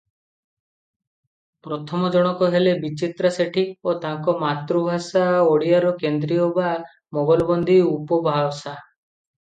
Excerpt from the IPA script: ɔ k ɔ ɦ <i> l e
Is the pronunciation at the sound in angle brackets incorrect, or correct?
incorrect: e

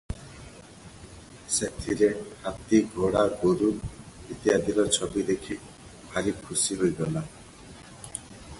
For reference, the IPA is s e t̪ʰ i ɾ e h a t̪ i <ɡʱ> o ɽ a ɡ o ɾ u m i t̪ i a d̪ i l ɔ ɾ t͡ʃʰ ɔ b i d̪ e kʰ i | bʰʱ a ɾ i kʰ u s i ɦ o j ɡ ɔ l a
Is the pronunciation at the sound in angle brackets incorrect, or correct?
correct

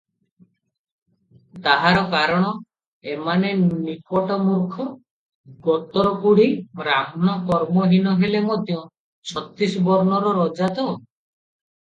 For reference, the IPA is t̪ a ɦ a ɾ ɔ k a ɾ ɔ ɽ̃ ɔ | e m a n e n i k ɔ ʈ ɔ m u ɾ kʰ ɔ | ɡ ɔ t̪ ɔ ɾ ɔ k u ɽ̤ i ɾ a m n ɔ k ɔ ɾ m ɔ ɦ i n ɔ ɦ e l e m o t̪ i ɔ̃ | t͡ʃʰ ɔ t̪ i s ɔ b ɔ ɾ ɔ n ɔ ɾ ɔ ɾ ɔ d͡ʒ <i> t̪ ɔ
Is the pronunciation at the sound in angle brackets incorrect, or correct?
incorrect: a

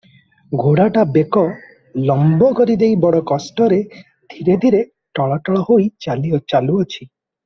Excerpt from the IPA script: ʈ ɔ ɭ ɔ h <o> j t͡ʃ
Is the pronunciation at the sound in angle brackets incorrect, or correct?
correct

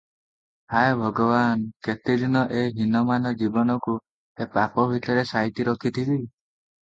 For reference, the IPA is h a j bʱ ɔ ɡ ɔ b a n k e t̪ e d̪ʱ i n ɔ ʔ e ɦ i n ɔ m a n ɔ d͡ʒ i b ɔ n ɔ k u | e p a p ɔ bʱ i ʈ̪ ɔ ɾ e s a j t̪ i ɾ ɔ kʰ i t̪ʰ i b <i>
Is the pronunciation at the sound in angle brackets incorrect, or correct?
correct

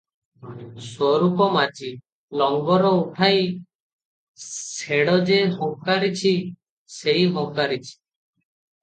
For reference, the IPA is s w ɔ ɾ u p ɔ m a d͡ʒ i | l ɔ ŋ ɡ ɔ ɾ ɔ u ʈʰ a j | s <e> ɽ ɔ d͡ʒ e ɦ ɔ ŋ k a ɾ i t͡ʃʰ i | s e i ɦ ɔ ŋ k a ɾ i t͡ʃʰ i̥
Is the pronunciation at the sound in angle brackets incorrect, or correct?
correct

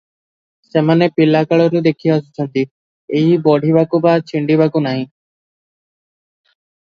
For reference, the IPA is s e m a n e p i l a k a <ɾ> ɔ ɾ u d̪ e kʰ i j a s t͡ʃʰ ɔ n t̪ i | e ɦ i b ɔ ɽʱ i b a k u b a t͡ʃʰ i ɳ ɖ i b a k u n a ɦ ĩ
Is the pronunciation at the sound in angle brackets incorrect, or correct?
incorrect: ɭ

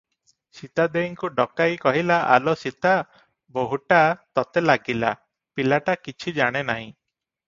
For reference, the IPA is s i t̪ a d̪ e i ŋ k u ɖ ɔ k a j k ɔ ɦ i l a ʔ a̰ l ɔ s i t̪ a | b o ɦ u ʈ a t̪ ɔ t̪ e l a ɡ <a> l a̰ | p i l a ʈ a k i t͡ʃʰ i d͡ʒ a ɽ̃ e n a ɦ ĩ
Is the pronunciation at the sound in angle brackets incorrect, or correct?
incorrect: i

